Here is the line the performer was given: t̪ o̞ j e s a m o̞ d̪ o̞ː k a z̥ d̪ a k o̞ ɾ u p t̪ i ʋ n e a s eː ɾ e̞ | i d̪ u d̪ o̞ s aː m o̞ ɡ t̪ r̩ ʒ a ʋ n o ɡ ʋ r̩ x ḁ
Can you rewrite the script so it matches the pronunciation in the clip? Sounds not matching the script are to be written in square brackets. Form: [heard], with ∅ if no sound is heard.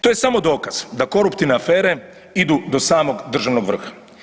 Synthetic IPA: t̪ o̞ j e s a m o̞ d̪ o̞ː k a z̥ d̪ a k o̞ ɾ u p t̪ i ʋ n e a [f] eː ɾ e̞ | i d̪ u d̪ o̞ s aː m o̞ ɡ [d̪] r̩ ʒ a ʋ n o ɡ ʋ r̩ x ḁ